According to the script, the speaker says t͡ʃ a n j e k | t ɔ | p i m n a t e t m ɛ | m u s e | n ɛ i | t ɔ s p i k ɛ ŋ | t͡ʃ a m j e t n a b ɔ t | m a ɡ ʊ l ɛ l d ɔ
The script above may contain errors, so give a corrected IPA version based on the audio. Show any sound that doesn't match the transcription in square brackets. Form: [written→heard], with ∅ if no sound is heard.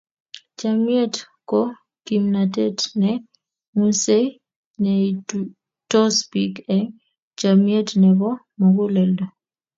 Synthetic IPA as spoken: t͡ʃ a [n→m] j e [k→t] | [t→k] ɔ | [p→k] i m n a t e t [m→n] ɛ | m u s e | n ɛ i | t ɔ s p i k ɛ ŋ | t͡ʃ a m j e t n [a→ɛ] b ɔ [t→∅] | m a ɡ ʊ l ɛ l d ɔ